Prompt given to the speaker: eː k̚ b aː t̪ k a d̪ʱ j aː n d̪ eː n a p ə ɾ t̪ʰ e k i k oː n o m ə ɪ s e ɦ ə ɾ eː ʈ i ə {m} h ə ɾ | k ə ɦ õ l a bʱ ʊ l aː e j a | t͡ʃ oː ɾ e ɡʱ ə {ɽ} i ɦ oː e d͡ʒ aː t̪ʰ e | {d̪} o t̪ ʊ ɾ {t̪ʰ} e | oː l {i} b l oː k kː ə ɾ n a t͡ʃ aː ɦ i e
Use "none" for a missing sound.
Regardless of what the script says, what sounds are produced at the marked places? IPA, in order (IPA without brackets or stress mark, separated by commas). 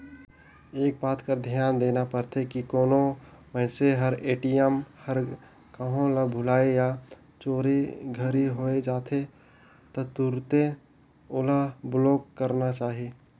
m, ɾ, t̪, t̪, a